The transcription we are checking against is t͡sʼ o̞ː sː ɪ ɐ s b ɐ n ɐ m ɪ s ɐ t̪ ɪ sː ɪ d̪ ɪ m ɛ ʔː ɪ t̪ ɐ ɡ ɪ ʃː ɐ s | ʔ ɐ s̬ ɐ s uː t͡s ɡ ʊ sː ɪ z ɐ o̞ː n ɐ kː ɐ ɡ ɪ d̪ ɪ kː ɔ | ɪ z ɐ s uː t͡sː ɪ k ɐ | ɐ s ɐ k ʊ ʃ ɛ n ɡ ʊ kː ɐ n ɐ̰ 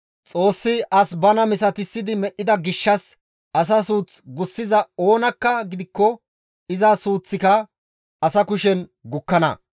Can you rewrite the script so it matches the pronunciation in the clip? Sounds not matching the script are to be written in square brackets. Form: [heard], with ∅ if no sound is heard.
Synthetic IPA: t͡sʼ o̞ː sː ɪ ɐ s b ɐ n ɐ m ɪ s ɐ t̪ ɪ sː ɪ d̪ ɪ m ɛ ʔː ɪ [d̪] ɐ ɡ ɪ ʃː ɐ s | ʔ ɐ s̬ ɐ s uː t͡s ɡ ʊ sː ɪ z ɐ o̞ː n ɐ kː ɐ ɡ ɪ d̪ ɪ kː ɔ | ɪ z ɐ s uː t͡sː ɪ k ɐ | ɐ s ɐ k ʊ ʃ ɛ n ɡ ʊ kː ɐ n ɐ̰